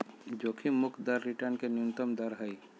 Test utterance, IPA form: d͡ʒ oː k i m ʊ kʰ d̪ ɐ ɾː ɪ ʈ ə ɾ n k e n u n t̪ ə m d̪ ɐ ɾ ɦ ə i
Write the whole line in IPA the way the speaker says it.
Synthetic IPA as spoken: d͡ʒ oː kʰ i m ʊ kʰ d̪ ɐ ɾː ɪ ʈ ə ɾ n k e n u n t̪ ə m d̪ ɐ ɾ ɦ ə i